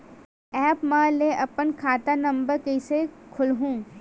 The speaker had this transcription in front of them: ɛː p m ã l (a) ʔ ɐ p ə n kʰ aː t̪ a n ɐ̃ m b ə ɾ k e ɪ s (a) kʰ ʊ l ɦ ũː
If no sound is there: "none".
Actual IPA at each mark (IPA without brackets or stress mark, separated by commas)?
e, e